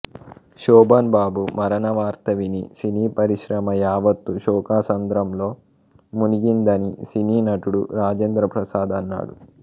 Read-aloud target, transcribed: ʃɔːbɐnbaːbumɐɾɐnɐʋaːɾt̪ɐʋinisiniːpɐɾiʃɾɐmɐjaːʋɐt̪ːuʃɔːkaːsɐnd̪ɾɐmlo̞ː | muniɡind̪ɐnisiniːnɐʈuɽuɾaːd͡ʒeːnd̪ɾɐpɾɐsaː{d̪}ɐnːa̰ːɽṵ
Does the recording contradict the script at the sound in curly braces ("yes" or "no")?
no